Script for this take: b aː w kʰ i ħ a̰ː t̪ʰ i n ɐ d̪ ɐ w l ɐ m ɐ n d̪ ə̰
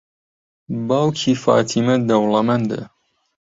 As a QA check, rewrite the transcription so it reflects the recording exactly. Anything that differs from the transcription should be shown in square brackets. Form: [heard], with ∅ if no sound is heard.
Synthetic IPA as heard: b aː w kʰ i [f] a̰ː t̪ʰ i [m] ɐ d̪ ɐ w l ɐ m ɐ n d̪ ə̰